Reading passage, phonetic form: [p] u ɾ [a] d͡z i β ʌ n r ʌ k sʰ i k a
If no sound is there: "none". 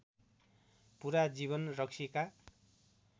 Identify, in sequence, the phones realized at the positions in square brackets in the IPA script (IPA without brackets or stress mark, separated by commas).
p, a